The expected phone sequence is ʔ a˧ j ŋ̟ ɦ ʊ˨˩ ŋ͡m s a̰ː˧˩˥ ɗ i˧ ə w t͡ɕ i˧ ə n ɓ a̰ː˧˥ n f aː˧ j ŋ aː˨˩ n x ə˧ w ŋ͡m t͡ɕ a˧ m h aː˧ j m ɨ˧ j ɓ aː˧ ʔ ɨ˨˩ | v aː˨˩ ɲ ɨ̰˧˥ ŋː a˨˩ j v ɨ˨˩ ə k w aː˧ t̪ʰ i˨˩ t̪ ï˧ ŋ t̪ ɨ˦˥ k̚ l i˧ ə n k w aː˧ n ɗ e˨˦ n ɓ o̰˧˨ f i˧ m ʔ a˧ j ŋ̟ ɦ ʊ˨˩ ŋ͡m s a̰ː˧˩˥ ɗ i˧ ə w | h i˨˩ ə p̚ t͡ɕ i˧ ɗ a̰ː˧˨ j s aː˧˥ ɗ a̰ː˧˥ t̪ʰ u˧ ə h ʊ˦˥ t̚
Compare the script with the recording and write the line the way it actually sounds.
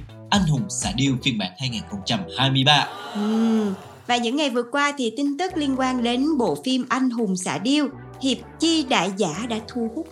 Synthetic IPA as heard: ʔ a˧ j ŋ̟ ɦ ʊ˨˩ ŋ͡m s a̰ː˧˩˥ ɗ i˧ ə w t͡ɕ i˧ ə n ɓ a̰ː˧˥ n h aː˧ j ŋ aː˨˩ n x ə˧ w ŋ͡m t͡ɕ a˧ m h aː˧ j m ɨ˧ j ɓ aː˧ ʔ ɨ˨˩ | v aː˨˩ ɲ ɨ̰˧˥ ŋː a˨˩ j v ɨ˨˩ ə k w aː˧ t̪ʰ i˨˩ t̪ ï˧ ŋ t̪ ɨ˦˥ k̚ l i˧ ə n k w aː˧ n ɗ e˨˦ n ɓ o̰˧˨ f i˧ m ʔ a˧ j ŋ̟ ɦ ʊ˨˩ ŋ͡m s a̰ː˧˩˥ ɗ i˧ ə w | h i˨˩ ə p̚ t͡ɕ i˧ ɗ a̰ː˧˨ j z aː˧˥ ɗ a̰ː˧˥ t̪ʰ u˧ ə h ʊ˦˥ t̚